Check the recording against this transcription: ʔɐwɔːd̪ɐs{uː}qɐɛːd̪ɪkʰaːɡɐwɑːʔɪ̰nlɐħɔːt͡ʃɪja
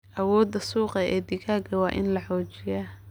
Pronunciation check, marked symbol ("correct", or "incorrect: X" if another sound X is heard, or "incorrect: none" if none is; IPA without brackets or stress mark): correct